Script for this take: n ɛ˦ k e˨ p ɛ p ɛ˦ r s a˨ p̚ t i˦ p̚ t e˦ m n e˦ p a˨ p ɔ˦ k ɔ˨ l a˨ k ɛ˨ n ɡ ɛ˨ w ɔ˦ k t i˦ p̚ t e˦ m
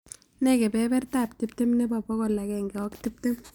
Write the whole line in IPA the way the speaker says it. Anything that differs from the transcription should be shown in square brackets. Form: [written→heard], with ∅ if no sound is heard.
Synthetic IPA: n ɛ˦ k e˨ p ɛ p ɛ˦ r [s→t] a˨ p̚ t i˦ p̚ t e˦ m n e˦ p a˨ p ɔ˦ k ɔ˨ l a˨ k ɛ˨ [n→ŋ] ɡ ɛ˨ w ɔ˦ k t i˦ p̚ t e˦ m